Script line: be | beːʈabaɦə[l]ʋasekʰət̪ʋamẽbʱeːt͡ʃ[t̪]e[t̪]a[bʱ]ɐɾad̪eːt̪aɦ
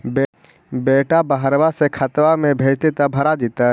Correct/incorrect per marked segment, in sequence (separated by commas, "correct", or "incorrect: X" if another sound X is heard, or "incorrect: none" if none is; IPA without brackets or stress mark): incorrect: ɾ, correct, correct, correct